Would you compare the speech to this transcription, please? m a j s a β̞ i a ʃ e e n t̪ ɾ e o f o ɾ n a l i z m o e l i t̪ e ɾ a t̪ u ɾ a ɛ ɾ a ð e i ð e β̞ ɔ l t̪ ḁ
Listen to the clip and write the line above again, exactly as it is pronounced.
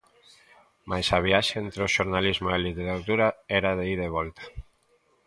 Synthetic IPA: m a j s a β̞ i a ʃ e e n t̪ ɾ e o ʃ o ɾ n a l i z m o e l i t̪ e ɾ a t̪ u ɾ a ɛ ɾ a ð e i ð e β̞ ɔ l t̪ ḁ